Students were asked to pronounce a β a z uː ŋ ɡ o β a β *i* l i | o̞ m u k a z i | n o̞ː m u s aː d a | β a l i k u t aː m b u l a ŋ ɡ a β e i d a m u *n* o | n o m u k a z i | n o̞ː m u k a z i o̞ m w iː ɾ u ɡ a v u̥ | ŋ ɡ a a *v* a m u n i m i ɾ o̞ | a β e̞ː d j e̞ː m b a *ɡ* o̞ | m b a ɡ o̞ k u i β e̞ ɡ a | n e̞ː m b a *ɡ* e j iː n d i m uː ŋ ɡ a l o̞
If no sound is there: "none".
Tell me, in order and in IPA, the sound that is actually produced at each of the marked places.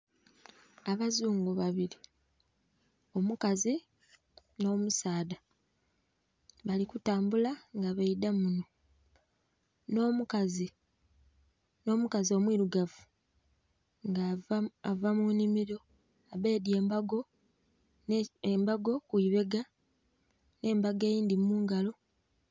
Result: i, n, v, ɡ, ɡ

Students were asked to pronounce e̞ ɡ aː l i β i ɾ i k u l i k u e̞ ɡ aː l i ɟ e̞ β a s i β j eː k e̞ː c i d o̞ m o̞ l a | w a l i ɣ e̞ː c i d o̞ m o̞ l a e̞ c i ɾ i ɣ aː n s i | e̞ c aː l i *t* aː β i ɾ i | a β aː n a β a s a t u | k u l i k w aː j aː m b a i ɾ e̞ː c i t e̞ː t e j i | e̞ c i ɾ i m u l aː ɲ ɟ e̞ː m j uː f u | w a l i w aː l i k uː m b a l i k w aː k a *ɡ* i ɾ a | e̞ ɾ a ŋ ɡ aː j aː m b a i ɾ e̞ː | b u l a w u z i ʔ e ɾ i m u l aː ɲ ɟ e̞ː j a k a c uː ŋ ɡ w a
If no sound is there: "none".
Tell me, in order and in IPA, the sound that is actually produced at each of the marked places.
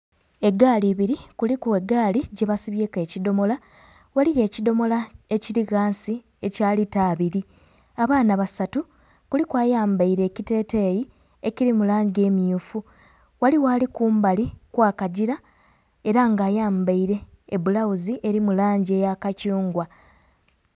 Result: t, ɟ

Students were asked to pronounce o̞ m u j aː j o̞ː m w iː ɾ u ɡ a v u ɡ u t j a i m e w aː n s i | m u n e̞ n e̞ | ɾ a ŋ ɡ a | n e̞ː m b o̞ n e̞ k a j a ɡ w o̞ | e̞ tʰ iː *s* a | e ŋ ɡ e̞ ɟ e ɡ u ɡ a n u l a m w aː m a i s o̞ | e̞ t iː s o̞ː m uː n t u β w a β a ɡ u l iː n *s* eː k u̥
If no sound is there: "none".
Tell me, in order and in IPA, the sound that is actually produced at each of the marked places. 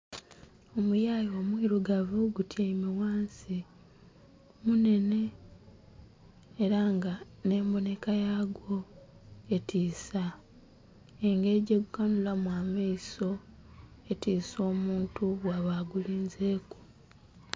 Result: s, z

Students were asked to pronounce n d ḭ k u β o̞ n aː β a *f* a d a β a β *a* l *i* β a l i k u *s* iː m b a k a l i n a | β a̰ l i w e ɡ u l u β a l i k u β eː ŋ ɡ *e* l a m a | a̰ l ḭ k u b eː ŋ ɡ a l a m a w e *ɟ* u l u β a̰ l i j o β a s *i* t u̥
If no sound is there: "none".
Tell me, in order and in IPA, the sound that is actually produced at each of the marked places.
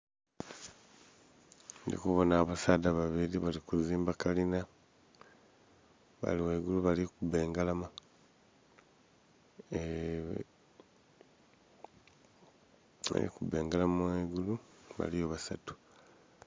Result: s, i, i, z, a, ɡ, a

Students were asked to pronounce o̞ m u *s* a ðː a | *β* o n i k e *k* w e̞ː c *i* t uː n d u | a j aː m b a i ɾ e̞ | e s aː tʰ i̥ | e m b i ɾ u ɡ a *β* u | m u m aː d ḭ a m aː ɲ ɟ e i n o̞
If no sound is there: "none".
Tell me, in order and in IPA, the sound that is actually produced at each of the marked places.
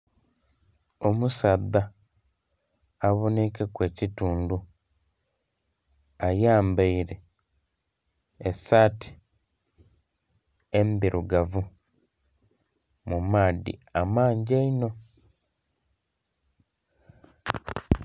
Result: s, β, k, i, v

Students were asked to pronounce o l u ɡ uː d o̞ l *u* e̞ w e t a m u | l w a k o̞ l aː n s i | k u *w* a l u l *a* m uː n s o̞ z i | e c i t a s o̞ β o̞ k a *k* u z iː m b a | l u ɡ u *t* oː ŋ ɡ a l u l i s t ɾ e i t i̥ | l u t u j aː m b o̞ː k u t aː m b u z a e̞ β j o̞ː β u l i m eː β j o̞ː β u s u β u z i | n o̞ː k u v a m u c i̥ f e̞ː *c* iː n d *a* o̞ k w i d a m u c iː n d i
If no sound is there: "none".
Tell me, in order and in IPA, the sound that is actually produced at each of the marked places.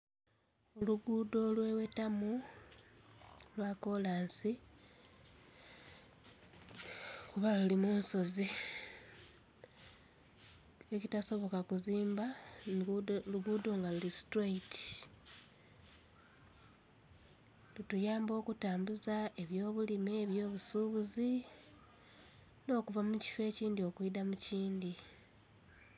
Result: w, β, i, k, d, c, i

